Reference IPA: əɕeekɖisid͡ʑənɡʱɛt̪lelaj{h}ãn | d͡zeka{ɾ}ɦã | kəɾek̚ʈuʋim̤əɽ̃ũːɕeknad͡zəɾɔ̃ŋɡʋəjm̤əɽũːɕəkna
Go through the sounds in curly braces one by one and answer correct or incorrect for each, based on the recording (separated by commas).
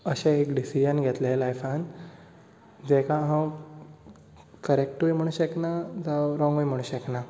incorrect, incorrect